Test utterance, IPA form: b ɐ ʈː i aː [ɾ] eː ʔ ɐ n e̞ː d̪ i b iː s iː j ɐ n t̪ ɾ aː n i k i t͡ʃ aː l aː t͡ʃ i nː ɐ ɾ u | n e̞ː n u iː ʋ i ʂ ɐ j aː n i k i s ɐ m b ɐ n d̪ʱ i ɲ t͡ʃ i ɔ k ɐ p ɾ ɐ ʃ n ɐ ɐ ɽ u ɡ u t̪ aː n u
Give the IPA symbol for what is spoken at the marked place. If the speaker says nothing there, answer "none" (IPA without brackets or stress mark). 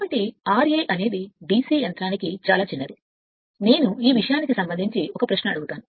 ɾ